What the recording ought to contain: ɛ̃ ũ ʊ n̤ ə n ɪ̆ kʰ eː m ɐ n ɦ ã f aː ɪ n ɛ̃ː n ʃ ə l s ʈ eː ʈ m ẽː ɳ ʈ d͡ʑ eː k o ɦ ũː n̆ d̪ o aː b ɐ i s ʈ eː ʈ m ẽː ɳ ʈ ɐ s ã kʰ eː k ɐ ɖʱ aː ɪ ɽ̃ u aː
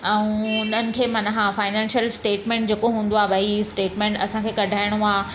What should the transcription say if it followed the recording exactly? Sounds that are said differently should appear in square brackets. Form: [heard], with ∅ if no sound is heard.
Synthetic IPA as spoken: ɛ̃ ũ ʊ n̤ ə n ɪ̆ kʰ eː m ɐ n ɦ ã f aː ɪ n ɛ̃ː n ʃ ə l s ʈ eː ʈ m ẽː ɳ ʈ d͡ʑ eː k o ɦ ũː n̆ d̪ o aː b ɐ i s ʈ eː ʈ m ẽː ɳ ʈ ɐ s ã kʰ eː k ɐ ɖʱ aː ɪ ɽ̃ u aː